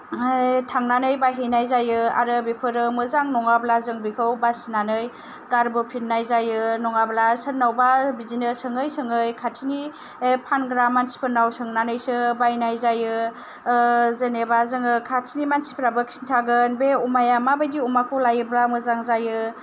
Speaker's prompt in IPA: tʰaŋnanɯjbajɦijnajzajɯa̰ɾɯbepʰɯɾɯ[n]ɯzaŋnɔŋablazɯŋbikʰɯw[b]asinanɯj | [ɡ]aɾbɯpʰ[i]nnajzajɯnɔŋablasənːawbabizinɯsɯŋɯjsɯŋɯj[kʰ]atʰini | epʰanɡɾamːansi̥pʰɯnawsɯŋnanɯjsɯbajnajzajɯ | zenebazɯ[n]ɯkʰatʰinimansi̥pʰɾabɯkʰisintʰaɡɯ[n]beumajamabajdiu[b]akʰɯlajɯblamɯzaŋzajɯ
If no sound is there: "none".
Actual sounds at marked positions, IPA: m, b, ɡ, i, kʰ, ŋ, n, m

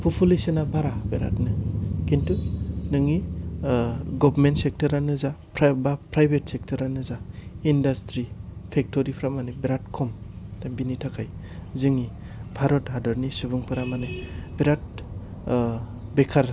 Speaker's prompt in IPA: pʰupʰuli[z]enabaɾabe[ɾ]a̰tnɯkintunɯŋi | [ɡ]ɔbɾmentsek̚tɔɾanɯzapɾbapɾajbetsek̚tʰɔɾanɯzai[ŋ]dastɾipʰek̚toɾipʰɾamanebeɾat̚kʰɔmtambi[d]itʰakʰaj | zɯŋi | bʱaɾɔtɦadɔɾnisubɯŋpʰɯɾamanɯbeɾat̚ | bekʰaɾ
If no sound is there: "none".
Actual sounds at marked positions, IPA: s, ɾ, ɡ, n, n

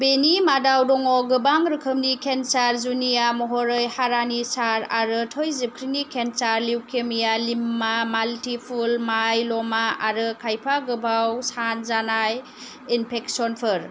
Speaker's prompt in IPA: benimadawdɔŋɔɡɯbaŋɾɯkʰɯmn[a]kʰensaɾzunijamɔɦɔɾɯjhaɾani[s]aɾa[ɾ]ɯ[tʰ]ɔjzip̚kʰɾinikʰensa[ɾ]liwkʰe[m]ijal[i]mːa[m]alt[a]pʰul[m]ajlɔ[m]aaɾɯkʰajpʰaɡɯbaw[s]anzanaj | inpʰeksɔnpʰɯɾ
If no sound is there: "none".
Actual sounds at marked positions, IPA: i, s, ɾ, tʰ, ɾ, m, i, m, i, m, m, s

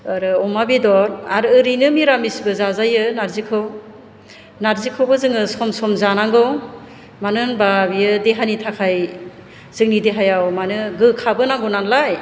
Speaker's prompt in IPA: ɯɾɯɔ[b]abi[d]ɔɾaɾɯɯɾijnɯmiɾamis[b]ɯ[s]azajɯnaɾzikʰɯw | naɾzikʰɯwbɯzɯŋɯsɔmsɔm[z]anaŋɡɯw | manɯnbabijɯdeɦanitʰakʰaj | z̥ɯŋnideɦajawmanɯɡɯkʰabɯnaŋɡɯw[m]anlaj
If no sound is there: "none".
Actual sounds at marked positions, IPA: m, d, b, z, z, n

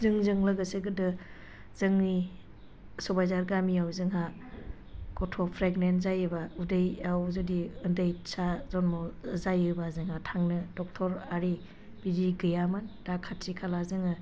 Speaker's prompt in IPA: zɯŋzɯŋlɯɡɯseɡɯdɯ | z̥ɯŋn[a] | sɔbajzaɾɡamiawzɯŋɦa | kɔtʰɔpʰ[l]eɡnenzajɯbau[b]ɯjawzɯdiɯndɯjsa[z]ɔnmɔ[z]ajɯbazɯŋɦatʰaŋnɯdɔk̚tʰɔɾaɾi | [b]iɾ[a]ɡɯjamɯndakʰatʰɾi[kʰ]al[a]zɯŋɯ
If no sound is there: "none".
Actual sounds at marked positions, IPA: i, ɾ, d, z, z, b, i, kʰ, a

